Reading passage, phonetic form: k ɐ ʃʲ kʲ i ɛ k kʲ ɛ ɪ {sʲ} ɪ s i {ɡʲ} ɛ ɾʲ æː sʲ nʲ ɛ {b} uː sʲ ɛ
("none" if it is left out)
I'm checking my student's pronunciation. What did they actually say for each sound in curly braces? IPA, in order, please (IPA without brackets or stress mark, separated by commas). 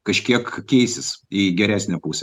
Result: sʲ, ɡʲ, p